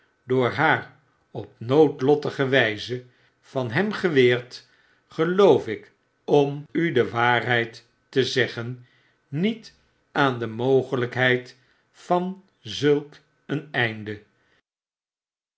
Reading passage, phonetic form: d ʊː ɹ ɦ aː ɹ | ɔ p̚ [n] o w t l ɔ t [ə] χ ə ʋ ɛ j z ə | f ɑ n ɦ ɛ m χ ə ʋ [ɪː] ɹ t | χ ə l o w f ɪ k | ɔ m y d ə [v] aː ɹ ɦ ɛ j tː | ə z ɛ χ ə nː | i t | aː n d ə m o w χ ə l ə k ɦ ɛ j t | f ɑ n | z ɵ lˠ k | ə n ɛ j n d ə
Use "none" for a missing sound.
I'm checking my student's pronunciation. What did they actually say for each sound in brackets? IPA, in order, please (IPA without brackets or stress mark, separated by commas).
n, ə, ɪː, ʋ